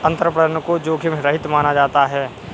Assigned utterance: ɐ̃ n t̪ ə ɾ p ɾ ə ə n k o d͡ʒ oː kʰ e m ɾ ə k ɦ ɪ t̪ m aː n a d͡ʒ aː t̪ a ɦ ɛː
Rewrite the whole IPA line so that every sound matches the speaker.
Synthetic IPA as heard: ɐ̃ n t̪ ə ɾ p ɾ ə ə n k o d͡ʒ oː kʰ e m ɾ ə ɦ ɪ t̪ m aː n a d͡ʒ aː t̪ a ɦ ɛː